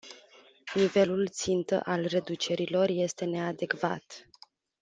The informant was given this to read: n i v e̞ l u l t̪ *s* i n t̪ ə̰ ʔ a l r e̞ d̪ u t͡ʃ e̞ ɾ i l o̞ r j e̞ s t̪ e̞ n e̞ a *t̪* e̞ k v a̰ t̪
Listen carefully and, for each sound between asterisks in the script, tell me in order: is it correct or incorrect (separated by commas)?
correct, incorrect